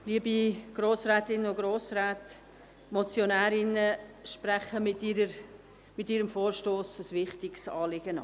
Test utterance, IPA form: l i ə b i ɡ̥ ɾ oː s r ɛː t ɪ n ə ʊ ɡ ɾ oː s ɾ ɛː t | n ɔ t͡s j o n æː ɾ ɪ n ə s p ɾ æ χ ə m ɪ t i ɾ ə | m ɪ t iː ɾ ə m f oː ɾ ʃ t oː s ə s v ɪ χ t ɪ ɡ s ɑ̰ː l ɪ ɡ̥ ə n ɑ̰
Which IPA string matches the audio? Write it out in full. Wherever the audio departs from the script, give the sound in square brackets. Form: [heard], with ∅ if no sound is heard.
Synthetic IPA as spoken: l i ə b i ɡ̥ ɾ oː s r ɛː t ɪ n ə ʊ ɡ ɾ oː s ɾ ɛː t | [m] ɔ t͡s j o n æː ɾ ɪ n ə [ʃ] p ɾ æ χ ə m ɪ t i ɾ ə | m ɪ t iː ɾ ə m f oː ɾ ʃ t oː s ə s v ɪ χ t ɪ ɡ s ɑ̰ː l ɪ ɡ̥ ə n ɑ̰